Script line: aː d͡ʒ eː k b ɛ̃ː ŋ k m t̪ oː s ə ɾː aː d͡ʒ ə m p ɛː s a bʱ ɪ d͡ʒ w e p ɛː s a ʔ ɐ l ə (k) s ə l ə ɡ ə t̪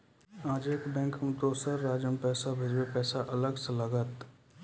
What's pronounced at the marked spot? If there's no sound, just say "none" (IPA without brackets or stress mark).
ɡ